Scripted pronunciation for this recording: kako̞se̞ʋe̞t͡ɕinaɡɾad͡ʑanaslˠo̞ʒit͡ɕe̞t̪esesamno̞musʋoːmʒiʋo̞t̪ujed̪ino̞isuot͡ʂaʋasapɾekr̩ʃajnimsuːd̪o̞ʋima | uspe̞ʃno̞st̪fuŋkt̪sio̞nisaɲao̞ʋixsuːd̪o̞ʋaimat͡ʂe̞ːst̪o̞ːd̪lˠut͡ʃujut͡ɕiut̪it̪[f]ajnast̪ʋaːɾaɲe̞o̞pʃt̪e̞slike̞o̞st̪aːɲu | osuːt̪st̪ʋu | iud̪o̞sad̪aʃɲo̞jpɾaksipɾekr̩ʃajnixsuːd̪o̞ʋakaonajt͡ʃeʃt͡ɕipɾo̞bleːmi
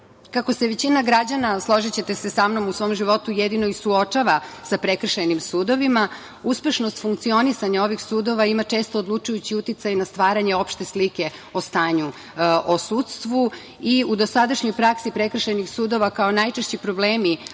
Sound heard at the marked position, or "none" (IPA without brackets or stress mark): s